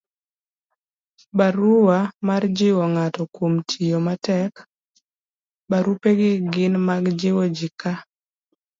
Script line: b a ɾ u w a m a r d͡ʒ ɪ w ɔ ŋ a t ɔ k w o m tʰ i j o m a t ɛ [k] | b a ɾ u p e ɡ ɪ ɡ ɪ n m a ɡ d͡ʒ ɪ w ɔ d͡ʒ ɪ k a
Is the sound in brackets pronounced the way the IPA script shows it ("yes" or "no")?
yes